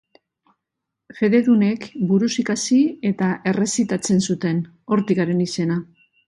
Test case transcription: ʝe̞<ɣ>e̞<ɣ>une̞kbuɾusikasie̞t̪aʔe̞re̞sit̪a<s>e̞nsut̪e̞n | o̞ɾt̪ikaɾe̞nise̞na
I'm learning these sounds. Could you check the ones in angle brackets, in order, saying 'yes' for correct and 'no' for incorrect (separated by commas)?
no, no, no